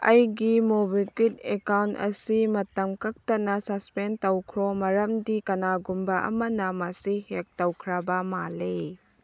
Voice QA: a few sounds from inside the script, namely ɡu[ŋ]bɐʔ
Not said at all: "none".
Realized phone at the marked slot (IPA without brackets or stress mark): m